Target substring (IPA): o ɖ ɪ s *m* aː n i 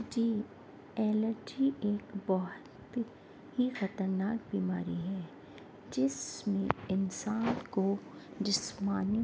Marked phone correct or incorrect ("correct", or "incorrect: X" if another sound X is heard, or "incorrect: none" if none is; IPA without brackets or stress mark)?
correct